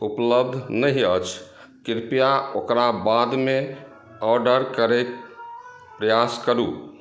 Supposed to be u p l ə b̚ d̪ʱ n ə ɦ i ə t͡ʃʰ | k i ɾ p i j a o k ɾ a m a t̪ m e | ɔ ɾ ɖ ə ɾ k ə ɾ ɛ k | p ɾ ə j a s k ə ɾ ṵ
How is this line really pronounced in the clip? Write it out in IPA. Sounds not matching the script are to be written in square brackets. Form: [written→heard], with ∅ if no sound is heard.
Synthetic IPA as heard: u p l ə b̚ d̪ʱ n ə ɦ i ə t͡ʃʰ | k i ɾ p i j a o k ɾ a [m→b] a [t̪→d̪] m e | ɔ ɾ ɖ ə ɾ k ə ɾ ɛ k | p ɾ ə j a s k ə ɾ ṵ

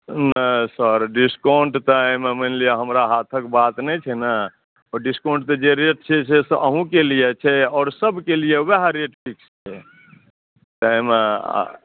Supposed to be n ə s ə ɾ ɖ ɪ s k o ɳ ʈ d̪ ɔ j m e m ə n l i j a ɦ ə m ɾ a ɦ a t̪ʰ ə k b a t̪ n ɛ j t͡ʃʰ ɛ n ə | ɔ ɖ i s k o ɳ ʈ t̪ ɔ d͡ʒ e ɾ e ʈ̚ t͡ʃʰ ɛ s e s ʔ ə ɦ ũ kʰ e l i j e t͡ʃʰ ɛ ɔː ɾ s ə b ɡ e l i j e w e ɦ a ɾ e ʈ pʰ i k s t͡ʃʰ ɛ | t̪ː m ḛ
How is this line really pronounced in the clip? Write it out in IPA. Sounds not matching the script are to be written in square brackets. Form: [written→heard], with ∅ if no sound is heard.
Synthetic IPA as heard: n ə s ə ɾ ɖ [ɪ→i] s k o ɳ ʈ [d̪→t̪] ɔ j m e m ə n l i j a ɦ ə m ɾ a ɦ a t̪ʰ ə k b a t̪ n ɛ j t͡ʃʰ ɛ n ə | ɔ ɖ i s k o ɳ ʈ t̪ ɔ d͡ʒ e ɾ e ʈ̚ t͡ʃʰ ɛ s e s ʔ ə ɦ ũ [kʰ→k] e l i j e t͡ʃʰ ɛ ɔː ɾ s ə b [ɡ→k] e l i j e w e ɦ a ɾ e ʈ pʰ i k s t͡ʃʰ ɛ | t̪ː m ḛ

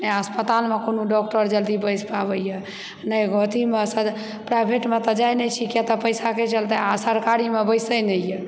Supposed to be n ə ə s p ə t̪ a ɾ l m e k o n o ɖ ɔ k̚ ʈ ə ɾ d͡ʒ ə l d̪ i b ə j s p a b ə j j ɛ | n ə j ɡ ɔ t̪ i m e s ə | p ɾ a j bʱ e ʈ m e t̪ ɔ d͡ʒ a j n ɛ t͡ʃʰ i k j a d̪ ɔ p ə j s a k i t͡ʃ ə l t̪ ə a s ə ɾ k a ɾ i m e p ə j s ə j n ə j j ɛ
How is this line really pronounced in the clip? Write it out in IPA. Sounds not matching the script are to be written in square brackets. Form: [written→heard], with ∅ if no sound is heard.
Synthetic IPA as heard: n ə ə s p ə t̪ a [ɾ→∅] l m e k o n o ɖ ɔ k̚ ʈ ə ɾ d͡ʒ ə l d̪ i b ə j s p a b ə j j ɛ | n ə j ɡ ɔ t̪ i m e s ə | p ɾ a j bʱ e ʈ m e t̪ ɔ d͡ʒ a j n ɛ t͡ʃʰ i k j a [d̪→t̪] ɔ p ə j s a k [i→e] t͡ʃ ə l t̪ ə a s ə ɾ k a ɾ i m e [p→b] ə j s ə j n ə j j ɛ

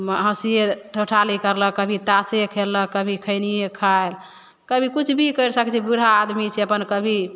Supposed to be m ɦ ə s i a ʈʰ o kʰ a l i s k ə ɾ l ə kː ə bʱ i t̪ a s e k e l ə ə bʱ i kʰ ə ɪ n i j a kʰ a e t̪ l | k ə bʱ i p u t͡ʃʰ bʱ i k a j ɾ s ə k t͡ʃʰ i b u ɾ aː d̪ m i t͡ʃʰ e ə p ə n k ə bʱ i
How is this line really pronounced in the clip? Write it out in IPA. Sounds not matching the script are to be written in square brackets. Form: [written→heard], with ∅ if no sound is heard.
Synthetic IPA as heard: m ɦ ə s i [a→e] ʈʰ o [kʰ→ʈʰ] a l i [s→∅] k ə ɾ l ə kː ə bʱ i t̪ a s e [k→kʰ] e l ə ə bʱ i kʰ ə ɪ n i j [a→e] kʰ a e [t̪→∅] l | k ə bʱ i [p→k] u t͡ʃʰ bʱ i k [a→ə] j ɾ s ə k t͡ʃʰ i b u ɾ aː d̪ m i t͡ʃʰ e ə p ə n k ə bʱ i

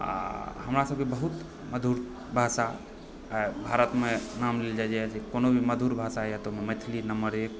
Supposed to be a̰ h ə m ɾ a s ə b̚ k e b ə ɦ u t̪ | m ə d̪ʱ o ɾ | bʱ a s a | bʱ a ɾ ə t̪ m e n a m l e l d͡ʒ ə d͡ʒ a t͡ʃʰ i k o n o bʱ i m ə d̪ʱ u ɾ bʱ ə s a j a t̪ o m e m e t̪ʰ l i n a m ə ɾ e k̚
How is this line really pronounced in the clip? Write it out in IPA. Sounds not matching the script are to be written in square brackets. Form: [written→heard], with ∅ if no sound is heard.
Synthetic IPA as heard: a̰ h ə m ɾ a s ə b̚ k e b ə ɦ u t̪ | m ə d̪ʱ [o→u] ɾ | bʱ a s a | bʱ a ɾ ə t̪ m e n a m l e l d͡ʒ [ə→a] d͡ʒ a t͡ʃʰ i k o n o bʱ i m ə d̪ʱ u ɾ bʱ [ə→a] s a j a t̪ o m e m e t̪ʰ l i n [a→ə] m ə ɾ e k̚

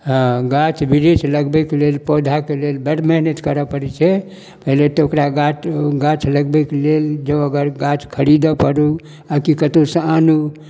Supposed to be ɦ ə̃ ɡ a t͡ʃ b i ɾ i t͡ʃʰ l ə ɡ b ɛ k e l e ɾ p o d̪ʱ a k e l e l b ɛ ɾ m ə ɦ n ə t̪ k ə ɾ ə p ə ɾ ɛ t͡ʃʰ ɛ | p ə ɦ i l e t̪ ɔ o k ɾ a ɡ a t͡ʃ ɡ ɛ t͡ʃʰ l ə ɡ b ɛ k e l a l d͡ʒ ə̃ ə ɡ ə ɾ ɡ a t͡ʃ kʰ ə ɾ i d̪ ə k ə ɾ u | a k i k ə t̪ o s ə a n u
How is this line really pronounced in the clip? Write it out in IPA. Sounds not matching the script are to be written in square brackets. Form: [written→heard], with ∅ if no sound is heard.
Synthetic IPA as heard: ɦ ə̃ ɡ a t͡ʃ b i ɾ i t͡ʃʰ l ə ɡ b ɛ k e l e [ɾ→l] p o d̪ʱ a k e l e l b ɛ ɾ m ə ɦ n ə t̪ k ə ɾ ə p ə ɾ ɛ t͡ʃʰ ɛ | p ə ɦ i l e t̪ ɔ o k ɾ a ɡ a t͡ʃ ɡ [ɛ→a] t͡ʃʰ l ə ɡ b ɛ k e l [a→e] l d͡ʒ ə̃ ə ɡ ə ɾ ɡ a t͡ʃ kʰ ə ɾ i d̪ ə [k→p] ə ɾ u | a k i k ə t̪ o s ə a n u

